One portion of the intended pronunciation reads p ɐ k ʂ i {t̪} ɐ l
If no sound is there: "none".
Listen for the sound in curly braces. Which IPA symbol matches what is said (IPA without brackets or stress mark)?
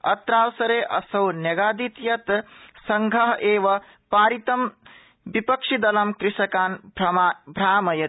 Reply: d̪